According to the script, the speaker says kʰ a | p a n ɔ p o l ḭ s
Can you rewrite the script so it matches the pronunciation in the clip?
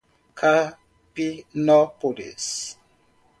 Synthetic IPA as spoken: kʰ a | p i n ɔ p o l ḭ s

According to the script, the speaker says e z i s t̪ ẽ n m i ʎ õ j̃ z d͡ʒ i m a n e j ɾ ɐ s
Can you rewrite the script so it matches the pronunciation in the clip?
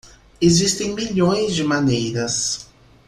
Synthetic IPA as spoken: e z i s t̪ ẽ ŋ m i ʎ õ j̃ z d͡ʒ ɪ m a n e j ɾ ɐ s

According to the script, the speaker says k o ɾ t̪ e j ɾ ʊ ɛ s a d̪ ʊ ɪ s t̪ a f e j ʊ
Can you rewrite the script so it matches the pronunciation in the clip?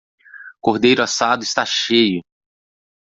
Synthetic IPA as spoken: k o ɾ d̪ e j ɾ ʊ a s a d̪ ʊ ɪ s t̪ a ʃ e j ʊ

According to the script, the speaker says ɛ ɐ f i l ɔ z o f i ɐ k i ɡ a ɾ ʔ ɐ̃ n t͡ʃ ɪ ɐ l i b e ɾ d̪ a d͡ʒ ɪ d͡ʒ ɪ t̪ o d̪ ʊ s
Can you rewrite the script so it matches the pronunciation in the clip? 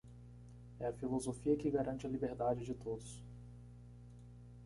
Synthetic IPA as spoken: ɛ ɐ f i l o z o f i ɐ k ɪ ɡ a ɾ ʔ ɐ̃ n t͡ʃ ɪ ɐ l i b e ɾ d̪ a d͡ʒ ɪ d͡ʒ ɪ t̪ o d̪ ʊ s

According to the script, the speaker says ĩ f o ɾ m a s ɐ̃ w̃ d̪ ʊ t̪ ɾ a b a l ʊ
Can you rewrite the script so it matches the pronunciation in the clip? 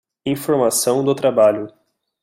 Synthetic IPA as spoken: ĩ f o ɾ m a s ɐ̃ w̃ d̪ ʊ t̪ ɾ a b a ʎ ʊ

